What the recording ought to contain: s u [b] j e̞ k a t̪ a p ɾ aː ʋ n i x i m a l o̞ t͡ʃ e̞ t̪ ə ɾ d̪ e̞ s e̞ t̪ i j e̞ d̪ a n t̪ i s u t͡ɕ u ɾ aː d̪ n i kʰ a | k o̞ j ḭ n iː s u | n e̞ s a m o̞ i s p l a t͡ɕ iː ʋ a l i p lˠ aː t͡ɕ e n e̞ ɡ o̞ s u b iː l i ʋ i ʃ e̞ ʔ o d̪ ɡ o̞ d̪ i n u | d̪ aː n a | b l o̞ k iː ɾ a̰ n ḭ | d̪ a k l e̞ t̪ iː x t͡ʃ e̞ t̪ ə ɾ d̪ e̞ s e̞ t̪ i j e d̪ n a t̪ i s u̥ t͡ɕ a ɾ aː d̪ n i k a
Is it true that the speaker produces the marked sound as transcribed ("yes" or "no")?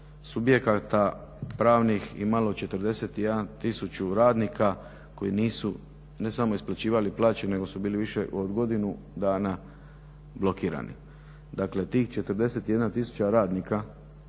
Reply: yes